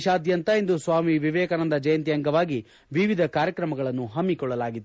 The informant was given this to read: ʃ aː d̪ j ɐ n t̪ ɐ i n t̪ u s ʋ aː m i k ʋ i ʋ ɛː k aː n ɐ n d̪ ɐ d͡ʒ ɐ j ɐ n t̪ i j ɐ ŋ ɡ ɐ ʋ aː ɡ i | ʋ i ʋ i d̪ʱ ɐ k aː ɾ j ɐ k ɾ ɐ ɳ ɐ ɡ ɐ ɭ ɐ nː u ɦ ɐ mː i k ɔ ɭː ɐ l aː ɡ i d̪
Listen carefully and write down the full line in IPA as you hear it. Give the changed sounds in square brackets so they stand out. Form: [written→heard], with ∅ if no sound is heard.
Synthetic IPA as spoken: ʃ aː d̪ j ɐ n t̪ ɐ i n [t̪→d̪] u s ʋ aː m i [k→∅] ʋ i ʋ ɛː k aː n ɐ n d̪ ɐ d͡ʒ ɐ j ɐ n t̪ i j ɐ ŋ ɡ ɐ ʋ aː ɡ i | ʋ i ʋ i d̪ʱ ɐ k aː ɾ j ɐ k ɾ ɐ [ɳ→m] ɐ ɡ ɐ ɭ ɐ nː u ɦ ɐ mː i k ɔ ɭː ɐ l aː ɡ i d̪